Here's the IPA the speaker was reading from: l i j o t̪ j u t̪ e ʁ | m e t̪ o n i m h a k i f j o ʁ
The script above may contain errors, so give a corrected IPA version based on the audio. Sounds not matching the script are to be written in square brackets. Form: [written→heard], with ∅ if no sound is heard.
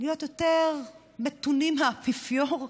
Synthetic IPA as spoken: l i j o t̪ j [u→o] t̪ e ʁ | m e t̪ [o→u] n i m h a [k→p] i f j o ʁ